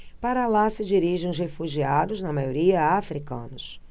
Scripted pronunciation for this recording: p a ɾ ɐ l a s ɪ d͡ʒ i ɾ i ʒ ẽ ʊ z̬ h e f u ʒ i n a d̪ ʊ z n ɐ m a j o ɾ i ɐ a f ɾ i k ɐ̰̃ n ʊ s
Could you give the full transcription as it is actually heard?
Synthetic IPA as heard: p a ɾ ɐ l a s ɪ d͡ʒ i ɾ i ʒ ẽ ʊ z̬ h e f u ʒ i a d̪ ʊ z n ɐ m a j o ɾ i ɐ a f ɾ i k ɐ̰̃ n ʊ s